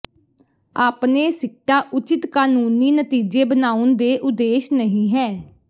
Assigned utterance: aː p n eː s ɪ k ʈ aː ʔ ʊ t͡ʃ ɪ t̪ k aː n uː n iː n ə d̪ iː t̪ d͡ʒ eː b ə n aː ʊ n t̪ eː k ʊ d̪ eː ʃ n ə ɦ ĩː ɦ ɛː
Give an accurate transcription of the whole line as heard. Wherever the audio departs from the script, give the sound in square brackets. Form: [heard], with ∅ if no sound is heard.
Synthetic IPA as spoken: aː p n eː s ɪ k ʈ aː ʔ ʊ t͡ʃ ɪ t̪ k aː n uː n iː n ə [t̪] iː [∅] d͡ʒ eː b ə n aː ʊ n [d̪] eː [ʔ] ʊ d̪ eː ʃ n ə ɦ ĩː ɦ ɛː